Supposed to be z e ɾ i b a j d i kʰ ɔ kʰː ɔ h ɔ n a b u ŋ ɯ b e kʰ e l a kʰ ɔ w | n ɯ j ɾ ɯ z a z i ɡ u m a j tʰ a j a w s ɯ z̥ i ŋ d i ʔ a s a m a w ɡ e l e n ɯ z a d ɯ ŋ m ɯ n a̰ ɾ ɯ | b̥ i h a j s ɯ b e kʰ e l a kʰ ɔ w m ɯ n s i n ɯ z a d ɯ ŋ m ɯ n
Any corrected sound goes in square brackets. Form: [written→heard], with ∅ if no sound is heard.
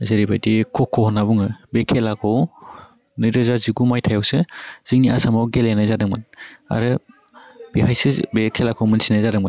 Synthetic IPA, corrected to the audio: z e ɾ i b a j d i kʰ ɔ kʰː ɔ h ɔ n a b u ŋ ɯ b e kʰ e l a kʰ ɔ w | n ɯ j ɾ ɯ z a z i ɡ u m a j tʰ a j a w s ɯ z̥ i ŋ [d→n] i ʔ a s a m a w ɡ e l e n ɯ z a d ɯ ŋ m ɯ n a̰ ɾ ɯ | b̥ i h a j s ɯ b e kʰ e l a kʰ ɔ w m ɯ n s i n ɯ z a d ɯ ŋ m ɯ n